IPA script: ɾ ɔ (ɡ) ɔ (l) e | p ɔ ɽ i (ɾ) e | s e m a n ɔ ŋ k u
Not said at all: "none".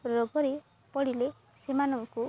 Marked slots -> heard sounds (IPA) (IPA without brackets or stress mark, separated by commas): ɡ, ɾ, l